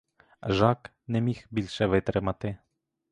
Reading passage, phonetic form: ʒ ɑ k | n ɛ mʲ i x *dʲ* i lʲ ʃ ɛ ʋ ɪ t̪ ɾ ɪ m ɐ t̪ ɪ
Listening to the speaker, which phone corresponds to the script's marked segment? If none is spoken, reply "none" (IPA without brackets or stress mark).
bʲ